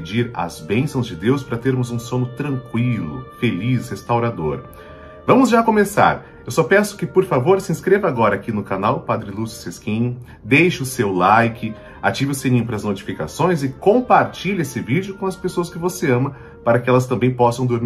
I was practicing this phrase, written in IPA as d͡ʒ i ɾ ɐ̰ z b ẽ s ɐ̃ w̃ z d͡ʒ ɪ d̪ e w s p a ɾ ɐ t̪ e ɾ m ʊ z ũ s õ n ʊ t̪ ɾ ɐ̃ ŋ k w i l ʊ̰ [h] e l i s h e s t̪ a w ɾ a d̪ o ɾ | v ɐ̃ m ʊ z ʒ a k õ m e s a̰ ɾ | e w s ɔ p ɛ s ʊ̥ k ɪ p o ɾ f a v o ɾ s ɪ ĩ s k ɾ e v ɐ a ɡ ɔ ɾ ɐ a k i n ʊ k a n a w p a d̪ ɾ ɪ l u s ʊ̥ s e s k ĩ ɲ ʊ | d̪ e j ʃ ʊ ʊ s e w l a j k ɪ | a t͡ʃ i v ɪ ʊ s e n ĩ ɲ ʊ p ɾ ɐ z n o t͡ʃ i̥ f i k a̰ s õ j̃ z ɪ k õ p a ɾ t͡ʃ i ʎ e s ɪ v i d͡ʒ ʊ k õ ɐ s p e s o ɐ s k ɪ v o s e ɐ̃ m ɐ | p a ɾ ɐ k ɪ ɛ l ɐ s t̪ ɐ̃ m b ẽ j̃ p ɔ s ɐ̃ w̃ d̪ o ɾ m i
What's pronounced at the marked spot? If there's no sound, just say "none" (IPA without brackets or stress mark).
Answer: f